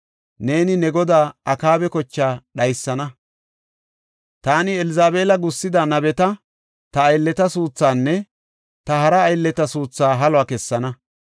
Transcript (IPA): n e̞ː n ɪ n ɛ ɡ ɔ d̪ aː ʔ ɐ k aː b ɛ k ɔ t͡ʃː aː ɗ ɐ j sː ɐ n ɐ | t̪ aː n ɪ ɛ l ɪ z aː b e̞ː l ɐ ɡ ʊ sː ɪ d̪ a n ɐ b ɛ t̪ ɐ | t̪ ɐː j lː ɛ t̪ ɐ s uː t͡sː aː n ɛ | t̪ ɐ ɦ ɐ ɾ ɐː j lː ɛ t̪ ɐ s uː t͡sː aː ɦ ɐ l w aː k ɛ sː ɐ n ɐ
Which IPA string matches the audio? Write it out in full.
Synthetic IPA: n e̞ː n ɪ n ɛ ɡ ɔ d̪ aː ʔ ɐ k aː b ɛ k ɔ t͡ʃː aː ɗ ɐ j sː ɐ n ɐ | t̪ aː n ɪ ɛ l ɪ z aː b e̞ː l ɐ ɡ ʊ sː ɪ d̪ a n ɐ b ɛ t̪ ɐ | t̪ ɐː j lː ɛ t̪ ɐ s uː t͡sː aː nː ɛ | t̪ ɐ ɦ ɐ ɾ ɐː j lː ɛ t̪ ɐ s uː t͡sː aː ɦ ɐ l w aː k ɛ sː ɐ n ɐ